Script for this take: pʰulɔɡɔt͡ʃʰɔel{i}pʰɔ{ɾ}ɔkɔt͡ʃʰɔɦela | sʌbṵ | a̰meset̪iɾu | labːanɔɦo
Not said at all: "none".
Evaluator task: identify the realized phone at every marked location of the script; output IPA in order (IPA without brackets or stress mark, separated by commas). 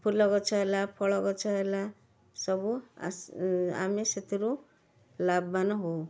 a, ɭ